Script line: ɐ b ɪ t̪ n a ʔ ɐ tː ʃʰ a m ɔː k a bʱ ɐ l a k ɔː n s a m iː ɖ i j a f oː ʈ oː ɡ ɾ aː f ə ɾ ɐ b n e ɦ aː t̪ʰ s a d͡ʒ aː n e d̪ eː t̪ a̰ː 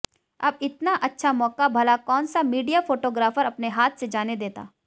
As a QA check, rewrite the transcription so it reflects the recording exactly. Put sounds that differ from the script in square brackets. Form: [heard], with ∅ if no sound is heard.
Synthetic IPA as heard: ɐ b ɪ t̪ n a ʔ ɐ tː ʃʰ a m ɔː k a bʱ ɐ l a k ɔː n s a m iː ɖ i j a f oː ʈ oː ɡ ɾ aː f ə ɾ ɐ [p] n e ɦ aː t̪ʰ s [e] d͡ʒ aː n e d̪ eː t̪ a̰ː